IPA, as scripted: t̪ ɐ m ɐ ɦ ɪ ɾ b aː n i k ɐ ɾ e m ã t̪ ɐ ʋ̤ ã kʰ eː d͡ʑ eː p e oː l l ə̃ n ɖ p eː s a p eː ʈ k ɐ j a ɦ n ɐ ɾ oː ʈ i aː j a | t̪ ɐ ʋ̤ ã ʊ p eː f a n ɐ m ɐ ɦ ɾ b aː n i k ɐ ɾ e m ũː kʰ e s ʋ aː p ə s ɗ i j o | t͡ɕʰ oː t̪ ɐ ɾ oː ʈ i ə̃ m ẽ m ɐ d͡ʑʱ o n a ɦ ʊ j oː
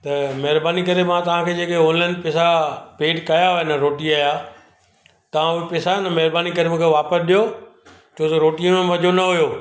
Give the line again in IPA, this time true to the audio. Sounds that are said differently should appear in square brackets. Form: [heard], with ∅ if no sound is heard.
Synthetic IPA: t̪ ɐ m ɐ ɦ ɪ ɾ b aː n i k ɐ ɾ e m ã t̪ ɐ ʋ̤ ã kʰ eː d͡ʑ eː [k] e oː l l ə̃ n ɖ p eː s a p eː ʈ k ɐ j a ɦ n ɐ ɾ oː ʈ i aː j a | t̪ ɐ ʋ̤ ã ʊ p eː [s] a n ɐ m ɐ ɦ ɾ b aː n i k ɐ ɾ e m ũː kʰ e [∅] ʋ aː p ə s ɗ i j o | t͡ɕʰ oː t̪ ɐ ɾ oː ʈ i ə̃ m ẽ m ɐ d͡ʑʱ o n [ɐ] ɦ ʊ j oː